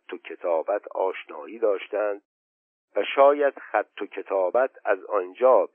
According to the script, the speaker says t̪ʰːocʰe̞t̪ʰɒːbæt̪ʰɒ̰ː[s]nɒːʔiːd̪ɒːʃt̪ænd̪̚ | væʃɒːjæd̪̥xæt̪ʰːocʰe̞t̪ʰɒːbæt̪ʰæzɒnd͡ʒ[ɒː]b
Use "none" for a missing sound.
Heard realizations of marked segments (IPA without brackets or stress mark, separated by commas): ʃ, ɒː